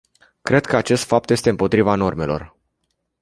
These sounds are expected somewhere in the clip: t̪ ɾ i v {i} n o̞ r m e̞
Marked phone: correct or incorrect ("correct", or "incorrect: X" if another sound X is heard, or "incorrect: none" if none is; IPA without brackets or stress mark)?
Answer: incorrect: a